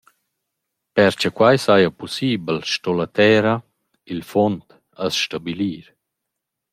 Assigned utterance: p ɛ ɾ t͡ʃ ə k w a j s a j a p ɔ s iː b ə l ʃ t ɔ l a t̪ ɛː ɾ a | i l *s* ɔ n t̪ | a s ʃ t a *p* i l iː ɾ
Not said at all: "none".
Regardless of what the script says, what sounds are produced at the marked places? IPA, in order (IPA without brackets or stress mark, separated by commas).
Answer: f, b